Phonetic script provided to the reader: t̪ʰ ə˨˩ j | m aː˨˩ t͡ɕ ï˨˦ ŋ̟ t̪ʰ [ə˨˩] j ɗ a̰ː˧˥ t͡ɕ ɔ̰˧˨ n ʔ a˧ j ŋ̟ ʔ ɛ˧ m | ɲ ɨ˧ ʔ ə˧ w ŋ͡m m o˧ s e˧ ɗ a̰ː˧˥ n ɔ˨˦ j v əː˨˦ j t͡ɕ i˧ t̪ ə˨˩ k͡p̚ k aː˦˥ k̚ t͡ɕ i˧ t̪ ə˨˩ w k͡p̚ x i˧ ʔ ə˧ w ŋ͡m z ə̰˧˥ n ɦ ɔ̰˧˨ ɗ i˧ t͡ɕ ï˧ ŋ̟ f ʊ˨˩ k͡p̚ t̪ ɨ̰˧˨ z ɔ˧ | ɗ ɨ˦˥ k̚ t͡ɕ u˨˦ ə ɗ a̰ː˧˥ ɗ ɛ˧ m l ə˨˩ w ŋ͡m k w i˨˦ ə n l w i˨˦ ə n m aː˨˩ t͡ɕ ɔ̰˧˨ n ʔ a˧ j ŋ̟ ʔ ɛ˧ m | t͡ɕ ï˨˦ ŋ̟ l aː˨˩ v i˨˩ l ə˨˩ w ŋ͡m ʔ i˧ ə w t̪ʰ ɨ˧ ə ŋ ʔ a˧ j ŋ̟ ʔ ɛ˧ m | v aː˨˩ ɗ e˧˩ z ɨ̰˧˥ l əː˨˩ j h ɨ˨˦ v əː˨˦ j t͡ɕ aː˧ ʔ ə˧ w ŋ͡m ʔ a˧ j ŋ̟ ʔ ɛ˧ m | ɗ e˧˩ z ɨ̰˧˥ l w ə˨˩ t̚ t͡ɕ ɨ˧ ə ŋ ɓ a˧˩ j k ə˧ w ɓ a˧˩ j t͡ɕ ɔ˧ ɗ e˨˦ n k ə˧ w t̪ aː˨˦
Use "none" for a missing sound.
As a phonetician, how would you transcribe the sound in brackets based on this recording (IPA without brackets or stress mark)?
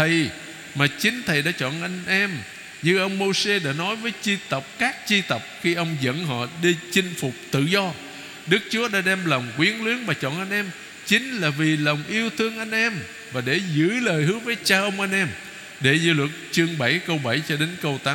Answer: ə˨˩